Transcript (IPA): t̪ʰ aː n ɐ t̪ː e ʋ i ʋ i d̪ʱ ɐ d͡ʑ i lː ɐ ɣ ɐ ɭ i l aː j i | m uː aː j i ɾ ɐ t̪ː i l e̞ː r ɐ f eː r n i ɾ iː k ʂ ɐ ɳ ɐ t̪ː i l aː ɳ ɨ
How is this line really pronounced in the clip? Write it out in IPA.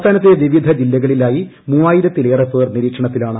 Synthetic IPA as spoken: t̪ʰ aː n ɐ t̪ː e ʋ i ʋ i d̪ʱ ɐ d͡ʑ i lː ɐ ɣ ɐ ɭ i l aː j i | m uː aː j i ɾ ɐ t̪ː i l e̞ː r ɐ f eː r n i ɾ iː k ʂ ɐ ɳ ɐ t̪ː i l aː ɳ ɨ